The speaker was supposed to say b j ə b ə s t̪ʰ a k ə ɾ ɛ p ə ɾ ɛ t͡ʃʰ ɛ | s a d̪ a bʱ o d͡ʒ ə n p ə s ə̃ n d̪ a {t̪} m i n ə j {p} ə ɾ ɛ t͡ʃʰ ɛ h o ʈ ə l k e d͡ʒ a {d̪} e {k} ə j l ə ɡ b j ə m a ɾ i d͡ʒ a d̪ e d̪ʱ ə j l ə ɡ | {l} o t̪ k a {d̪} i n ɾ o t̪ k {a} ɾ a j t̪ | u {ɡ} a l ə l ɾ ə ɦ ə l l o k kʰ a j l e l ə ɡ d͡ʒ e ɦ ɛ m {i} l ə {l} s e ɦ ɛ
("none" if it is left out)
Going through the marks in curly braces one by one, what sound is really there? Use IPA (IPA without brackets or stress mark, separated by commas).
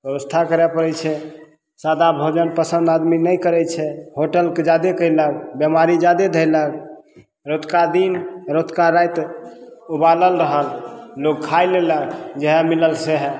d̪, k, d̪, k, ɾ, d̪, a, b, i, l